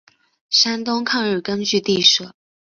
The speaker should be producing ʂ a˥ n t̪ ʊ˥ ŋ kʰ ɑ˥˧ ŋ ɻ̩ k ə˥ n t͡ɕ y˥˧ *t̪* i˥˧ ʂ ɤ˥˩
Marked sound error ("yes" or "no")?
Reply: no